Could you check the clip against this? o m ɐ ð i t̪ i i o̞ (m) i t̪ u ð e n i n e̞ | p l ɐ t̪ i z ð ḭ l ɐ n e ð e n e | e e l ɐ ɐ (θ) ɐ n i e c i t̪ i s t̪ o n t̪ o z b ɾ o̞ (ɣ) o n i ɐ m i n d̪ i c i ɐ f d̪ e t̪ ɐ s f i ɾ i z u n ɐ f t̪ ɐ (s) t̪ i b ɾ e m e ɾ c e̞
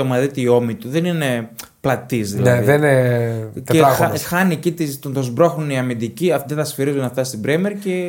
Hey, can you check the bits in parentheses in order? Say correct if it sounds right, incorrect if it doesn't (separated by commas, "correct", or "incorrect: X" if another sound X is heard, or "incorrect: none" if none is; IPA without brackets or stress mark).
correct, incorrect: x, incorrect: x, correct